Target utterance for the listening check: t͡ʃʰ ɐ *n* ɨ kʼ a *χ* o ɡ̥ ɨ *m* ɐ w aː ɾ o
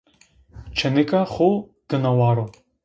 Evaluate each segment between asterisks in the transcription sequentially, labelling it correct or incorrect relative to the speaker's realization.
correct, correct, incorrect

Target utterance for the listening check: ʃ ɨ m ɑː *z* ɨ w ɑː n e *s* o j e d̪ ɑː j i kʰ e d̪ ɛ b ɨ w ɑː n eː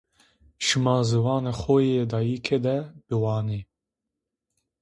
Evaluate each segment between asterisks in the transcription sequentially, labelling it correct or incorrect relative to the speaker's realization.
correct, incorrect

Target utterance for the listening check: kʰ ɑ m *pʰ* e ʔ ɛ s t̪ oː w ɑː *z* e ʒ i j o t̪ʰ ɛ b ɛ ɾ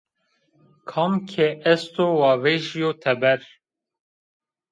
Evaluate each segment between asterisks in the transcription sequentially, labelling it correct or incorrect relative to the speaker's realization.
incorrect, incorrect

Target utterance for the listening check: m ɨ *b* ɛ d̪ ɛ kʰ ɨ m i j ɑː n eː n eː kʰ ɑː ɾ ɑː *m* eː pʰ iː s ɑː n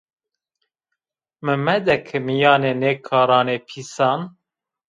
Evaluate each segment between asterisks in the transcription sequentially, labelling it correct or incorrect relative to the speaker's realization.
incorrect, incorrect

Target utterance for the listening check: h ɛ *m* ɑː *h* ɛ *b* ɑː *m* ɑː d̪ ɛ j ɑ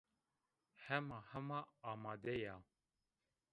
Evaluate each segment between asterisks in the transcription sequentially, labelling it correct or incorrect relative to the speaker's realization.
correct, correct, incorrect, correct

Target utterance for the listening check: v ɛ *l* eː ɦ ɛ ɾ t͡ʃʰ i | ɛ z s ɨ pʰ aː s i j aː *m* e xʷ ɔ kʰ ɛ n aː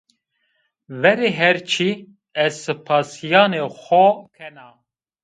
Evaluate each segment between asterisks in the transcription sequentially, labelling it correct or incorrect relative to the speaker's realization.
incorrect, incorrect

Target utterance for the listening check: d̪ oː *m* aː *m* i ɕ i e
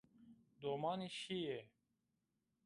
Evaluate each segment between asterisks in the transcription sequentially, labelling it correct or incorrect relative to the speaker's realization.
correct, incorrect

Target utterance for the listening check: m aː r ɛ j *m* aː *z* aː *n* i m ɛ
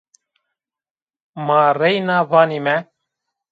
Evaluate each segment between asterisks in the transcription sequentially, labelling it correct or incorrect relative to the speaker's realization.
incorrect, incorrect, correct

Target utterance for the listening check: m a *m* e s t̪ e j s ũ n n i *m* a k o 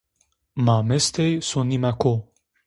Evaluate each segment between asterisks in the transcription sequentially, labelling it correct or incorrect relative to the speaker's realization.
correct, correct

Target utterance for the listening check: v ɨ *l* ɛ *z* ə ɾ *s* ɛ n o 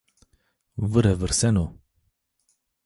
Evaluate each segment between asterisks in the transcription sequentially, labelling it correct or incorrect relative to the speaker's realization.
incorrect, incorrect, correct

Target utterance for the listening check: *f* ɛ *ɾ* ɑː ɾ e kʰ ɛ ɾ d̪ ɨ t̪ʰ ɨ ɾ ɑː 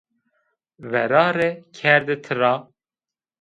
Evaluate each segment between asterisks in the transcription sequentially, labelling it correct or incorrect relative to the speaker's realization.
incorrect, correct

